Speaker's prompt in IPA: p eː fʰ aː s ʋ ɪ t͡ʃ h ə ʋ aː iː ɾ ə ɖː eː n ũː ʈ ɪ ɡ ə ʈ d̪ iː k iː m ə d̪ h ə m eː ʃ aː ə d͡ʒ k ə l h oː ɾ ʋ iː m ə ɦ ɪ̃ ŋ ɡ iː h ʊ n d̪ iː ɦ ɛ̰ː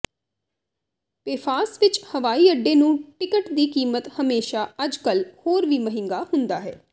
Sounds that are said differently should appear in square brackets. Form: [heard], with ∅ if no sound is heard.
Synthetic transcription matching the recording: p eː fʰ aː s ʋ ɪ t͡ʃ h ə ʋ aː iː [∅] ə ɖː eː n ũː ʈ ɪ [k] ə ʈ d̪ iː k iː m ə [t̪] h ə m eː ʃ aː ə d͡ʒ k ə l h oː ɾ ʋ iː m ə ɦ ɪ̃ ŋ ɡ [aː] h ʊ n d̪ [aː] ɦ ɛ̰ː